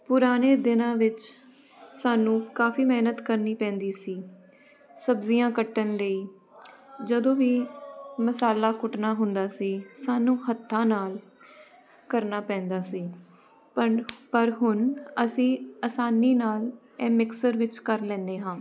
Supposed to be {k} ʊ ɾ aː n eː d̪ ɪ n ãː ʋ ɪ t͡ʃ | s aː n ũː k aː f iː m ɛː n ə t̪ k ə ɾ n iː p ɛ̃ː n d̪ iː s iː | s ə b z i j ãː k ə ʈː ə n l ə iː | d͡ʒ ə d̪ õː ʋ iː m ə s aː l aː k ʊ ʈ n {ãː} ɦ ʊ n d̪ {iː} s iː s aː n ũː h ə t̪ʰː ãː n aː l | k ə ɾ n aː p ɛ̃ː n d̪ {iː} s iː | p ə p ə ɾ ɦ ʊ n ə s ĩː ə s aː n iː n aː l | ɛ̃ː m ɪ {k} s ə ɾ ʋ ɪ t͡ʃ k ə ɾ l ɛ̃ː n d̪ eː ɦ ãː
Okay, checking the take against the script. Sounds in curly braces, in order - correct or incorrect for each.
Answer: incorrect: p, incorrect: aː, incorrect: aː, incorrect: aː, correct

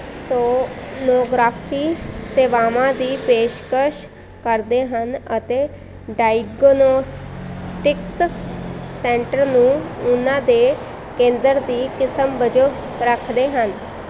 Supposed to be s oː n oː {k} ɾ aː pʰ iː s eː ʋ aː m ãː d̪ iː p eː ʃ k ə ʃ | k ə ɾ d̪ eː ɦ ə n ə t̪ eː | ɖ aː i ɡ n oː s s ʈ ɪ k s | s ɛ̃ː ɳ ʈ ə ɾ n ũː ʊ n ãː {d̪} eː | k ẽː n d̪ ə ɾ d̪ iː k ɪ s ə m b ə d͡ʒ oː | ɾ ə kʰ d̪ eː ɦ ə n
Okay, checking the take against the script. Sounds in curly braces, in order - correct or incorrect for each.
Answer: incorrect: ɡ, correct

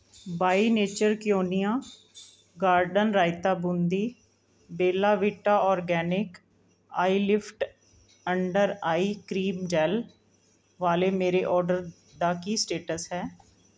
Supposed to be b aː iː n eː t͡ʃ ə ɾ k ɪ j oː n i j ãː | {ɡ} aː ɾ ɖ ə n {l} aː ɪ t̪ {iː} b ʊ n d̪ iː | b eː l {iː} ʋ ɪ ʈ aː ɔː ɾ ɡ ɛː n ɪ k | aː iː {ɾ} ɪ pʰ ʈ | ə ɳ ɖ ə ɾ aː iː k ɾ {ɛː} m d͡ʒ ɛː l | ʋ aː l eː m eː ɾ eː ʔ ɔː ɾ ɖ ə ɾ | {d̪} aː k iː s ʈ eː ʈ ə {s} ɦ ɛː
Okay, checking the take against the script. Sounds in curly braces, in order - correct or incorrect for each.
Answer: correct, incorrect: ɾ, incorrect: aː, incorrect: aː, incorrect: l, incorrect: iː, correct, correct

